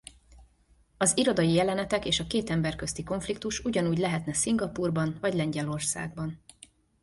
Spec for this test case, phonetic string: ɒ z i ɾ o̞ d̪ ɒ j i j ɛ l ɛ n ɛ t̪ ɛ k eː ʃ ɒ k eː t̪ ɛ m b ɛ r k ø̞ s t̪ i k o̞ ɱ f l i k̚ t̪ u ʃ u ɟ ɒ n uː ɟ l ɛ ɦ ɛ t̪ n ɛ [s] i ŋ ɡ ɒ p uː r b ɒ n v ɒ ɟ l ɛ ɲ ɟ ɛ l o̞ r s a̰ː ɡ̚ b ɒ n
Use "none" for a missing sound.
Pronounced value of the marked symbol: s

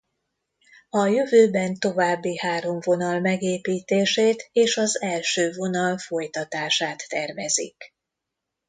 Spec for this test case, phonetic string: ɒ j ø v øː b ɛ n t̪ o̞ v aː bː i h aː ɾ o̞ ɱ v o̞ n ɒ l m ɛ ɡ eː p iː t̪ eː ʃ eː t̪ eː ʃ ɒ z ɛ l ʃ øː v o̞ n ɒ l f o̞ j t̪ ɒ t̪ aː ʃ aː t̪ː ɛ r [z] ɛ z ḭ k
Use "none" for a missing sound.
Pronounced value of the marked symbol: v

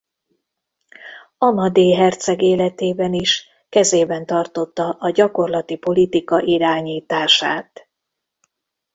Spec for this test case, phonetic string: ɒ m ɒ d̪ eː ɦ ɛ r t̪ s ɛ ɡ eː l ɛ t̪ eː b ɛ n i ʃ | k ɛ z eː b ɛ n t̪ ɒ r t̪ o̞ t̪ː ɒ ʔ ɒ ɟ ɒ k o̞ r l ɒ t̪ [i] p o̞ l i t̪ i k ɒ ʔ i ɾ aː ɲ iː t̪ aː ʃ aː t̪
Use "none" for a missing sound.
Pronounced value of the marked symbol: i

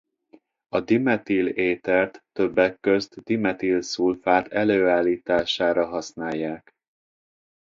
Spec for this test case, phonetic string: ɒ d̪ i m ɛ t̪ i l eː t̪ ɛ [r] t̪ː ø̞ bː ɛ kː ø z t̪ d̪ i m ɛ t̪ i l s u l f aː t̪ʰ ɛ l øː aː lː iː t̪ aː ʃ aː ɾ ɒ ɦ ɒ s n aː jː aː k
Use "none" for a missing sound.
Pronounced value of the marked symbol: r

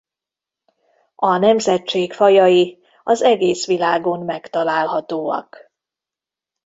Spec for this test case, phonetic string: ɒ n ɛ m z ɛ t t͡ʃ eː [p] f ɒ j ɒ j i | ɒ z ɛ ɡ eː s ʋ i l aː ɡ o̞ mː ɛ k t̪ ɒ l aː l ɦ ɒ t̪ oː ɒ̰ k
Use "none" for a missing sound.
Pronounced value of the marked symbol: k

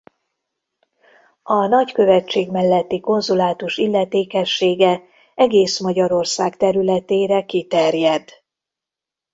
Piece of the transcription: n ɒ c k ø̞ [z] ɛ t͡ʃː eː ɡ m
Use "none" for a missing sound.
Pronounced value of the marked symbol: v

